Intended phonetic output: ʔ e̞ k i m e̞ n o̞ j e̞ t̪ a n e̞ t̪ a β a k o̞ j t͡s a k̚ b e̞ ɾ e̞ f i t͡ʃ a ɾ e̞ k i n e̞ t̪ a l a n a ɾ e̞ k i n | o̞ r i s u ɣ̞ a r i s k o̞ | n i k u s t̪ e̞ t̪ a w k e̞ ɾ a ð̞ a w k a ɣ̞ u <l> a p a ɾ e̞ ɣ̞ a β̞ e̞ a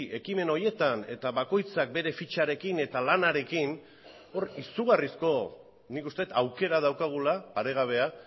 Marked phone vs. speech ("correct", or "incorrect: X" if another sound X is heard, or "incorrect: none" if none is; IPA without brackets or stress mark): correct